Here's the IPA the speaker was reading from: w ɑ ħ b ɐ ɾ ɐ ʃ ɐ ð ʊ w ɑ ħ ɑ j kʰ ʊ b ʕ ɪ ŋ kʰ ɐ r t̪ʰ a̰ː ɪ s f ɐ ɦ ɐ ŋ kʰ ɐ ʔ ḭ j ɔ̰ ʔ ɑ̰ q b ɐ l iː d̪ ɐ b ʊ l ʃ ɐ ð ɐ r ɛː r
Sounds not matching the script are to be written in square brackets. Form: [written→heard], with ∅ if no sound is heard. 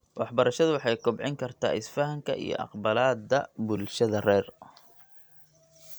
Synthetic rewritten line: w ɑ ħ b ɐ ɾ ɐ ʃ ɐ ð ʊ w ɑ ħ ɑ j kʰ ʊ b ʕ ɪ ŋ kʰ ɐ r t̪ʰ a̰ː ɪ s f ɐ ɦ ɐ ŋ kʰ ɐ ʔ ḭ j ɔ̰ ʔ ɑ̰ q b ɐ l [iː→aː] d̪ ɐ b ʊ l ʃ ɐ ð ɐ r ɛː r